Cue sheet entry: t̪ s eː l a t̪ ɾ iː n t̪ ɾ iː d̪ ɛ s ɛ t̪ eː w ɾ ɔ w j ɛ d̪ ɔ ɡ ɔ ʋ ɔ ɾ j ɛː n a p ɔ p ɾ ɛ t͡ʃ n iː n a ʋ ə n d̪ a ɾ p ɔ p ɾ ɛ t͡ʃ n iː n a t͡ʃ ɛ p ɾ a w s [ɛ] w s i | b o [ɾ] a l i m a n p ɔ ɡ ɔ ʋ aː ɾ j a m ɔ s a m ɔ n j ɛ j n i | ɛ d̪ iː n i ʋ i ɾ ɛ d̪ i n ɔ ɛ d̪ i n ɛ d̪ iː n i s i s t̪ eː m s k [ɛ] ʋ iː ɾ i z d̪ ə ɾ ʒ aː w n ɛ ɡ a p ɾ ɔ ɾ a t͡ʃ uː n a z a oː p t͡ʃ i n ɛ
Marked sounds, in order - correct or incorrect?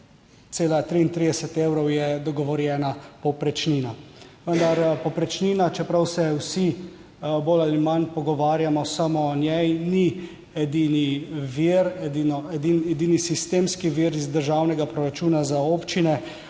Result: correct, incorrect: l, incorrect: i

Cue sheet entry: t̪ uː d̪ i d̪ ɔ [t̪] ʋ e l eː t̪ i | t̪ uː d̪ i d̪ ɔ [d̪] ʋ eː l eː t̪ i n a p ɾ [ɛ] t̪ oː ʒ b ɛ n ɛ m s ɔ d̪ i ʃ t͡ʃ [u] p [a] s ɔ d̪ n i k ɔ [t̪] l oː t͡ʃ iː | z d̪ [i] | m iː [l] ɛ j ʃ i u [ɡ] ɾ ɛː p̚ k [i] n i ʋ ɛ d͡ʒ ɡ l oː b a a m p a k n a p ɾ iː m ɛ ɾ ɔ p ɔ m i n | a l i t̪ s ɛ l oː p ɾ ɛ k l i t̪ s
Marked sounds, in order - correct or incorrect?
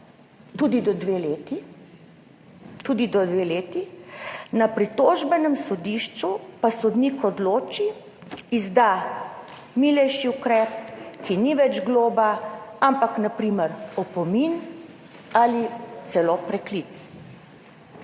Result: incorrect: d̪, correct, incorrect: i, correct, correct, incorrect: d̪, incorrect: a, correct, incorrect: k, correct

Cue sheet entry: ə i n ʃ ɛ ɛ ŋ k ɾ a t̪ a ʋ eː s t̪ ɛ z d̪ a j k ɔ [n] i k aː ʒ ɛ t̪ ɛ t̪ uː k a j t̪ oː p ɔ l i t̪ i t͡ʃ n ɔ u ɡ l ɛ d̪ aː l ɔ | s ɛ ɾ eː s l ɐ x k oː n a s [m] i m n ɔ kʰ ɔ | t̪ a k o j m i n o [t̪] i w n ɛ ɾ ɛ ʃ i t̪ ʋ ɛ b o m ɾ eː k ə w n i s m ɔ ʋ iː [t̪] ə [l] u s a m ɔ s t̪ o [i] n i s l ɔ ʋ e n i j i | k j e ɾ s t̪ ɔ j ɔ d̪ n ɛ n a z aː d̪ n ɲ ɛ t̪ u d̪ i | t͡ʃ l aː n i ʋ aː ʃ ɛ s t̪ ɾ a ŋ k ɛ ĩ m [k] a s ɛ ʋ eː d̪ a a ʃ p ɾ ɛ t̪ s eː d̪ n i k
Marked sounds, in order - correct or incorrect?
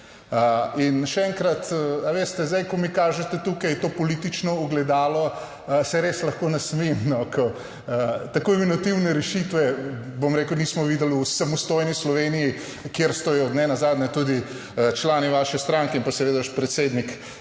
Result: incorrect: m, correct, correct, incorrect: d̪, correct, incorrect: j, incorrect: p

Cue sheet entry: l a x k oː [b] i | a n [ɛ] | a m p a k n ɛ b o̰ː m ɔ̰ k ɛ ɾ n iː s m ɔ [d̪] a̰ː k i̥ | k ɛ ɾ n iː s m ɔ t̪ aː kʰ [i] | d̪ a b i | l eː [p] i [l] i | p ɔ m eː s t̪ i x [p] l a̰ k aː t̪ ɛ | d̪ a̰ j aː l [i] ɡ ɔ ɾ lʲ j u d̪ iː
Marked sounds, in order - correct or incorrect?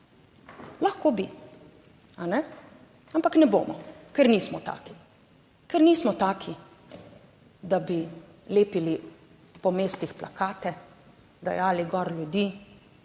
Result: correct, correct, incorrect: t̪, correct, correct, correct, correct, correct

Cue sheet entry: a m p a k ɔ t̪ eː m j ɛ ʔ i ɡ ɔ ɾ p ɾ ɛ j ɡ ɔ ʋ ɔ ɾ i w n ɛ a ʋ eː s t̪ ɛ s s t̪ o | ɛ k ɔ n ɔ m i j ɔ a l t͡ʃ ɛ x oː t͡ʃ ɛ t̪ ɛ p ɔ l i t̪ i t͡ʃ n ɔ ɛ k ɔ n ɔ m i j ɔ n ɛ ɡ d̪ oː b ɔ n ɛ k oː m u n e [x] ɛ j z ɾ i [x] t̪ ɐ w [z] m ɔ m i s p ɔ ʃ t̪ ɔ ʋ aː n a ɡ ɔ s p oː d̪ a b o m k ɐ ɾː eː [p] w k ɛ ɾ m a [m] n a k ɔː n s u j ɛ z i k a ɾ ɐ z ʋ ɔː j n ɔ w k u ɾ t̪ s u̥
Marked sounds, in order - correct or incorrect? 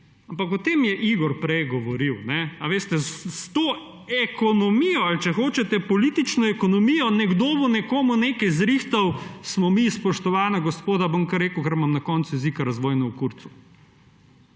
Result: incorrect: k, correct, incorrect: s, incorrect: k, correct

